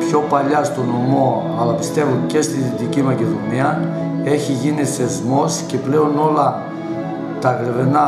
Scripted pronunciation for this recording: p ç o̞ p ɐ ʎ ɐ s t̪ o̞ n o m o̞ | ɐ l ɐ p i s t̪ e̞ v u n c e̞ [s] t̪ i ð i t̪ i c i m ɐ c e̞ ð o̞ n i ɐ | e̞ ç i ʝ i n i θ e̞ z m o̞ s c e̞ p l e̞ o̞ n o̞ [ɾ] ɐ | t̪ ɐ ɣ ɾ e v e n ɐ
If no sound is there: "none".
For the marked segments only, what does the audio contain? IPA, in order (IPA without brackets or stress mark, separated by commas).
s, l